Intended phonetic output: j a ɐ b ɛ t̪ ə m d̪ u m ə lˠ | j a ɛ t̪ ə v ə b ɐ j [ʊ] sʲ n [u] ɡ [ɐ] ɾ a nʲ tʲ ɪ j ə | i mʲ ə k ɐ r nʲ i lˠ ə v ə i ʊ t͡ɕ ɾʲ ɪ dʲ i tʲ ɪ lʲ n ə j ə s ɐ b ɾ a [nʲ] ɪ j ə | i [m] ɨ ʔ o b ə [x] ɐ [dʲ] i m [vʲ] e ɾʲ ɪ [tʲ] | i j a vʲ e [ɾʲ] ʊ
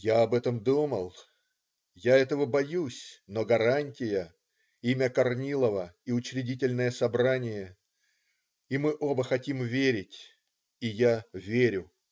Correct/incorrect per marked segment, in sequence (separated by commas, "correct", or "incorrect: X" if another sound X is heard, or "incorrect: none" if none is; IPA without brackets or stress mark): incorrect: u, incorrect: o, correct, correct, correct, correct, incorrect: tʲ, correct, correct, correct